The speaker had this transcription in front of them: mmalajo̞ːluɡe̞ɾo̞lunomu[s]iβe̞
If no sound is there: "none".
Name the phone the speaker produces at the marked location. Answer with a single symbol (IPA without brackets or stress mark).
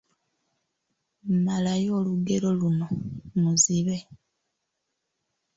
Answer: z